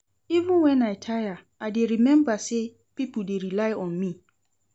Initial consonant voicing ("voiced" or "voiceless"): voiced